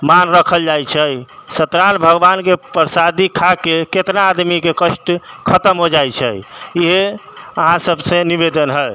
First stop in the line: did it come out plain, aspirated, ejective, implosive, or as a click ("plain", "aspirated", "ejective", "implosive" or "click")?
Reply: aspirated